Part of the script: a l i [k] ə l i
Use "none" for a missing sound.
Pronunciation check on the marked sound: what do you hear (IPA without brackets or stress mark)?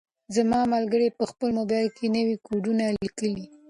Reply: k